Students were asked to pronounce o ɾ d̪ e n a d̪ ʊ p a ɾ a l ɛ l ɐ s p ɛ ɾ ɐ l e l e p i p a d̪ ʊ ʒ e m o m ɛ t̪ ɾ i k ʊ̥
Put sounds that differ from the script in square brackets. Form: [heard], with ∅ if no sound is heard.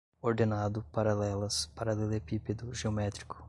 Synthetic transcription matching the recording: o ɾ d̪ e n a d̪ ʊ p a ɾ a l ɛ l ɐ s p [a] ɾ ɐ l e l e p i p [e] d̪ ʊ ʒ e [∅] o m ɛ t̪ ɾ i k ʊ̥

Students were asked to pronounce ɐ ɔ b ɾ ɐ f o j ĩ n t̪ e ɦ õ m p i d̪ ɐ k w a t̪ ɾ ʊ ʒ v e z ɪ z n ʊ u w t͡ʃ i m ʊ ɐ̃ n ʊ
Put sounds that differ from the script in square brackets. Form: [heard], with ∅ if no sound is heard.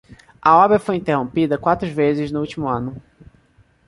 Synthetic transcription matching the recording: ɐ ɔ b ɾ ɐ f o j ĩ n t̪ e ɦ õ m p i d̪ ɐ k w a t̪ ɾ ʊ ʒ v e z ɪ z n ʊ u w t͡ʃ i m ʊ ɐ̃ n ʊ

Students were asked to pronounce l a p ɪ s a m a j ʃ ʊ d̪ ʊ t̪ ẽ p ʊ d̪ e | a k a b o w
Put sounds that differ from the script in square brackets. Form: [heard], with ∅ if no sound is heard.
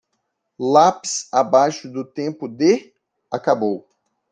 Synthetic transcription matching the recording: l a p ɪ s a [b] a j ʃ ʊ d̪ ʊ t̪ ẽ p ʊ d̪ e | a k a b o w

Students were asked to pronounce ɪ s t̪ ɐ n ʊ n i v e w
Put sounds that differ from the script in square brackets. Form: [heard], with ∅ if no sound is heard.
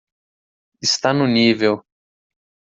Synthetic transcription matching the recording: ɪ s t̪ [a] n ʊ n i v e w

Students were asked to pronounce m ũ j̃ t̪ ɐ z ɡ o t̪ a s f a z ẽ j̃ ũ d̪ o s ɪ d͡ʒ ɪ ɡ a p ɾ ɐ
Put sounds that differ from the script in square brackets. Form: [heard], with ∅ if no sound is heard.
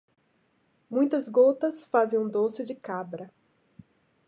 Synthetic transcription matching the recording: m ũ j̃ t̪ ɐ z ɡ o t̪ [ɐ] s f a z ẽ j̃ ũ d̪ o s ɪ d͡ʒ ɪ [k] a [b] ɾ ɐ

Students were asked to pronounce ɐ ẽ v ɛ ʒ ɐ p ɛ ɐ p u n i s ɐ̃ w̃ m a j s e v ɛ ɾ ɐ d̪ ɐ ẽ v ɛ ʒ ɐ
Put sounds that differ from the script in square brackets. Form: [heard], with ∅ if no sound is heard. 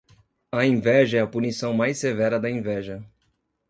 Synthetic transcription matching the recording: ɐ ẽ v ɛ ʒ ɐ [∅] ɛ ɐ p u n i s ɐ̃ w̃ m a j s e v ɛ ɾ ɐ d̪ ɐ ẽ v ɛ ʒ ɐ

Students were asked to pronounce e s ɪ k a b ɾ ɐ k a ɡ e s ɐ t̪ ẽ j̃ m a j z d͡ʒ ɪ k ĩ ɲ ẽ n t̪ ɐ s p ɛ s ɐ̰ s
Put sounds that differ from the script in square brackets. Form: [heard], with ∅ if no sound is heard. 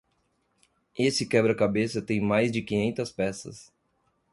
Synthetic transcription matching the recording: e s ɪ k [ɛ] b ɾ ɐ k a [b] e s ɐ t̪ ẽ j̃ m a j z d͡ʒ ɪ k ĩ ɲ ẽ n t̪ ɐ s p ɛ s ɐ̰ s

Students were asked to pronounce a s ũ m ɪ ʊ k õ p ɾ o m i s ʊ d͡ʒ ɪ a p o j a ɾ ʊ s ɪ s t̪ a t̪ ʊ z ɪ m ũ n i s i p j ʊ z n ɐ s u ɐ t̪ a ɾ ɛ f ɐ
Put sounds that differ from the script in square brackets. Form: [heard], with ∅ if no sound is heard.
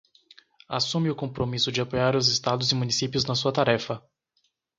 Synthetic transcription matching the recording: a s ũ m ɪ ʊ k õ p ɾ o m i s ʊ d͡ʒ ɪ a p o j a ɾ ʊ [z] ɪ s t̪ a [d̪] ʊ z ɪ m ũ n i s i p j ʊ z n ɐ s u ɐ t̪ a ɾ ɛ f ɐ

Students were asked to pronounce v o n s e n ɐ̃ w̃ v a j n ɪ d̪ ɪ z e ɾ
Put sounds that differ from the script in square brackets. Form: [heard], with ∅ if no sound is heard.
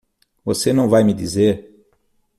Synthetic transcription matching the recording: v o [∅] s e n ɐ̃ w̃ v a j [m] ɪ d̪ [i] z e ɾ

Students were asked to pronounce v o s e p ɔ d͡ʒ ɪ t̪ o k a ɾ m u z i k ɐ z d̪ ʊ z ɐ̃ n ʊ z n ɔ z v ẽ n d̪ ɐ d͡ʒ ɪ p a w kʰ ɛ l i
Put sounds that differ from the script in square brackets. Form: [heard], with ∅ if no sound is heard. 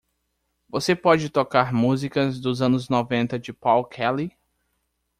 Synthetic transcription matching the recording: v o s e p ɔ d͡ʒ ɪ t̪ o k a ɾ m u z i k ɐ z d̪ ʊ z ɐ̃ n ʊ z n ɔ [∅] v ẽ n [t̪] ɐ d͡ʒ ɪ p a w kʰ ɛ l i

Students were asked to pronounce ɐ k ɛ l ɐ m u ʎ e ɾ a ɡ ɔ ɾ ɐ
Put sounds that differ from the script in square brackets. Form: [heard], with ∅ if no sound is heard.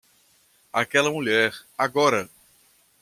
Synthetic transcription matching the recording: [a] k ɛ l ɐ m u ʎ [ɛ] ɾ a ɡ ɔ ɾ ɐ

